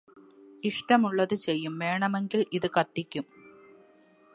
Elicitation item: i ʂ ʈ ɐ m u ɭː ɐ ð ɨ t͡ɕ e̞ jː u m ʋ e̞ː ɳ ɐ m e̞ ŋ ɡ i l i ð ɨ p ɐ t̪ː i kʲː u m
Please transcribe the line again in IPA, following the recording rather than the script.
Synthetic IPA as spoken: i ʂ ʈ ɐ m u ɭː ɐ ð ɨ t͡ɕ e̞ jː u m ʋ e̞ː ɳ ɐ m e̞ ŋ ɡ i l i ð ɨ k ɐ t̪ː i kʲː u m